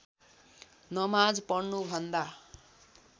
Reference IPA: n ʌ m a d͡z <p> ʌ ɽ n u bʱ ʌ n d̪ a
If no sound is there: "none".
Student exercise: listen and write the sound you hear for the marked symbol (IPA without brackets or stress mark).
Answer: p